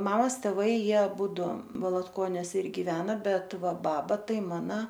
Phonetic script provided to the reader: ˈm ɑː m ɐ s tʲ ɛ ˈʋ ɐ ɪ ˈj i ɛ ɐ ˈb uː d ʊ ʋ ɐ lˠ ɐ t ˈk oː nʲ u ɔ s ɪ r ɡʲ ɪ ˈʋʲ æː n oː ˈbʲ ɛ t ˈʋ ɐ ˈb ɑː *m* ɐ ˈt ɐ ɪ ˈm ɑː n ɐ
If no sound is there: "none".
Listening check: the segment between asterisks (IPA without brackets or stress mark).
b